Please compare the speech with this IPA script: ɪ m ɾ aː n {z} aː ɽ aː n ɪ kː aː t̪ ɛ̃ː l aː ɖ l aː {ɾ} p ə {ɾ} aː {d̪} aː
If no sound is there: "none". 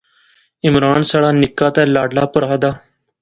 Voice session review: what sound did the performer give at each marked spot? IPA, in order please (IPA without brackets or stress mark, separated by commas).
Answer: s, none, ɾ, d̪